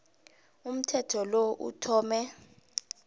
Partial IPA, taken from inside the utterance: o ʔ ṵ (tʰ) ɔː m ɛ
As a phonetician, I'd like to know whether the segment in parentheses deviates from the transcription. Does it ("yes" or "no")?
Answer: no